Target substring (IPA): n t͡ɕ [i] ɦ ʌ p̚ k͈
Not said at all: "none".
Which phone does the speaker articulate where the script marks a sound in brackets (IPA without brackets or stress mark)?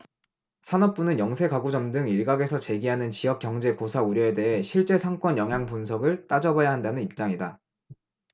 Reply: i